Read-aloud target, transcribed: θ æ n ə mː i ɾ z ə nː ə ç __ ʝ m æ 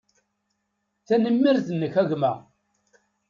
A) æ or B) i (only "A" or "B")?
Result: A